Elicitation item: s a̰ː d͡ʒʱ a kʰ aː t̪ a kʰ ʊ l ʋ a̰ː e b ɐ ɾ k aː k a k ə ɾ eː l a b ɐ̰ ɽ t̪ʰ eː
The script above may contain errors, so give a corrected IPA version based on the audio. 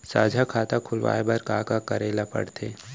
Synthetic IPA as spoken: s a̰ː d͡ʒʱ a kʰ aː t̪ a kʰ ʊ l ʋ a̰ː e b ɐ ɾ k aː k a k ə ɾ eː l a p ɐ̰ ɽ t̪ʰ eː